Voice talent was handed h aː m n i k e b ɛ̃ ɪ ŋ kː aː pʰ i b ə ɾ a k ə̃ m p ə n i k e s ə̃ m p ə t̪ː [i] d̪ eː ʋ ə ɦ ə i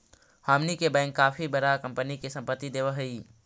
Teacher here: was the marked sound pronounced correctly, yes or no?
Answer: yes